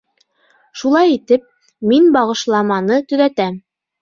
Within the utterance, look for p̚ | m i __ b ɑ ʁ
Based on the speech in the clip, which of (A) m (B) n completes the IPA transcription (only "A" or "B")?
B